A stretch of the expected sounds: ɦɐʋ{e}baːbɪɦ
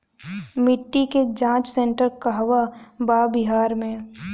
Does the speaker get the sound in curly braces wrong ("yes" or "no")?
yes